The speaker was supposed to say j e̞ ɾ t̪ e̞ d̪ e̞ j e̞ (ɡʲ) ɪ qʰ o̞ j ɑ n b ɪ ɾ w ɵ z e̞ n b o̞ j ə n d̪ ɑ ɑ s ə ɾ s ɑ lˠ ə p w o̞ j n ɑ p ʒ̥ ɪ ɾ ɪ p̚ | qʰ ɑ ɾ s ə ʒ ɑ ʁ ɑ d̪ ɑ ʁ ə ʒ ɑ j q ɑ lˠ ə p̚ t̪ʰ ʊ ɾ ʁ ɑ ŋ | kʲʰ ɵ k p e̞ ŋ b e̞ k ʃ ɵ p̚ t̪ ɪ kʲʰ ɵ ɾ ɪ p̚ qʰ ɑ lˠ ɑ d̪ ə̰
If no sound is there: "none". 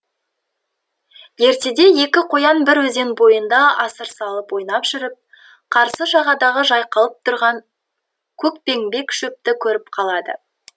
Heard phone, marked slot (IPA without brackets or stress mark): kʲ